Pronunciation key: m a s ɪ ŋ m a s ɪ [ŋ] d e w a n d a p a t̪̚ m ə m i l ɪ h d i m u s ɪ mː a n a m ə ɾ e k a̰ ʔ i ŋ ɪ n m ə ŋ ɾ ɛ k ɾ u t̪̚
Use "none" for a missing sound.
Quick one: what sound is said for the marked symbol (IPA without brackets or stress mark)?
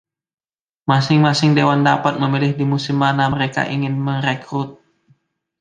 ŋ